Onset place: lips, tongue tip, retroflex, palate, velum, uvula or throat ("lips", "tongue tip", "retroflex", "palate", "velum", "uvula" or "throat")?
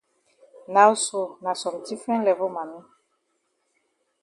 tongue tip